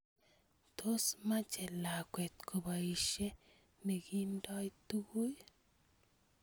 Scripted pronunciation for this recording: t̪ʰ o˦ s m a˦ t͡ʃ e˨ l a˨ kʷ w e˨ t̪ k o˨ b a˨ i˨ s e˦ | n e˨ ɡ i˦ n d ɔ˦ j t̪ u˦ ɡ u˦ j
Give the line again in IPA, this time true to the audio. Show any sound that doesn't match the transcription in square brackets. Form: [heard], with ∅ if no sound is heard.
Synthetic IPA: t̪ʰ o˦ s m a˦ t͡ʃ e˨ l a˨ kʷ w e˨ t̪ k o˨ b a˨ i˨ [ʃ] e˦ | n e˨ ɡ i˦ n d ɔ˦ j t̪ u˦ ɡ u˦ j